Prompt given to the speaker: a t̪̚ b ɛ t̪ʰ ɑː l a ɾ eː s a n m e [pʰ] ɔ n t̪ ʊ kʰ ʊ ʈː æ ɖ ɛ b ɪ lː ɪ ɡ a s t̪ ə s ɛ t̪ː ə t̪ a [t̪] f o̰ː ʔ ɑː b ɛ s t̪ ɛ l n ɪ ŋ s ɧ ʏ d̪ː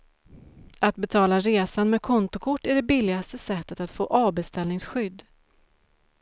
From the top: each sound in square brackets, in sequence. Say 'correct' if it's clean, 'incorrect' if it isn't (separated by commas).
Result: incorrect, correct